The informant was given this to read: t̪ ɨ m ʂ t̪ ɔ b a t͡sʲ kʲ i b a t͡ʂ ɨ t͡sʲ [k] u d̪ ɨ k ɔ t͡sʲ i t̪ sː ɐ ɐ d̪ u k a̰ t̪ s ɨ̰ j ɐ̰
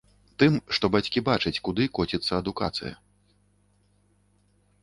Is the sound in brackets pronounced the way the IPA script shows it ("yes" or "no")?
yes